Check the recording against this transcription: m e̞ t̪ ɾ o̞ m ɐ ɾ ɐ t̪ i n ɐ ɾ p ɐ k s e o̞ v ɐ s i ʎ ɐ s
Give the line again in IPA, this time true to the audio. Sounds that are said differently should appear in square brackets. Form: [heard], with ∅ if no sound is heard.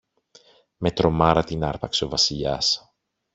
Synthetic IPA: m e̞ t̪ ɾ o̞ m ɐ ɾ ɐ t̪ i n ɐ ɾ p ɐ k s e o̞ v ɐ s i ʎ ɐ s